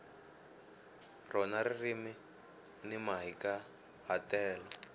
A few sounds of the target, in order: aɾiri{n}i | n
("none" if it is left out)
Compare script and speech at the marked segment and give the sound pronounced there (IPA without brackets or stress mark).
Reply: m